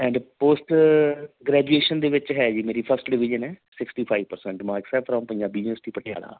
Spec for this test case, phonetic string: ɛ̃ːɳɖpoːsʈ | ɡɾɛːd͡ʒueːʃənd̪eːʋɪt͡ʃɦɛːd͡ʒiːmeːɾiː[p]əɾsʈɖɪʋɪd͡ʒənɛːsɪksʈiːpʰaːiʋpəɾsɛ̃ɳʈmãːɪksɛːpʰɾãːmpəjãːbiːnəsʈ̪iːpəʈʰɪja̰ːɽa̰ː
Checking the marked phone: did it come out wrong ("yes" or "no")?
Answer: yes